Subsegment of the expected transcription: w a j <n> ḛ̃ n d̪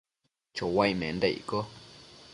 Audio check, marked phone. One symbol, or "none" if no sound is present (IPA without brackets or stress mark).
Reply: m